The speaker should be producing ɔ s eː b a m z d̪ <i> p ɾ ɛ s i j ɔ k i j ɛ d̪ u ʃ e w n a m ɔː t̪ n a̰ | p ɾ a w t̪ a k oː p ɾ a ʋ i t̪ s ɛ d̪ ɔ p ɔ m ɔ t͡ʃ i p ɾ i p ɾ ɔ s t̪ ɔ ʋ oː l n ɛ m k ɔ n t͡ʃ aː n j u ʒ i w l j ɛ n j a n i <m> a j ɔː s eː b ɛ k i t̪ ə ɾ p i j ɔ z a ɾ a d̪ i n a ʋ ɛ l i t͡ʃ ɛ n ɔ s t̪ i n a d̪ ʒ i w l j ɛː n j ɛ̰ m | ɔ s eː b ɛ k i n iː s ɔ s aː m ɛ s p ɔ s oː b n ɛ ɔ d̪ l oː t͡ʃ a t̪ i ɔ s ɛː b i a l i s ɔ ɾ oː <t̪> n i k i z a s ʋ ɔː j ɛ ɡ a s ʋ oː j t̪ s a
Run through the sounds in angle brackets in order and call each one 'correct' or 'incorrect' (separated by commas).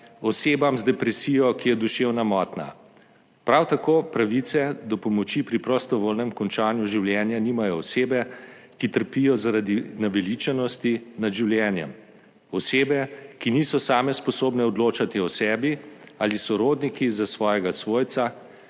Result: incorrect, correct, incorrect